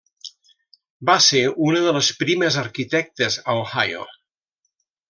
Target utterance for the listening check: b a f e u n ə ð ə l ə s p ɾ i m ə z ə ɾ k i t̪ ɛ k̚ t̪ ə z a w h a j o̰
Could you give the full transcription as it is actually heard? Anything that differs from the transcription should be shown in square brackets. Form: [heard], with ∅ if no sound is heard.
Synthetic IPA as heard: b a [s] e u n ə ð ə l ə s p ɾ i m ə z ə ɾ k i t̪ ɛ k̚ t̪ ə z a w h a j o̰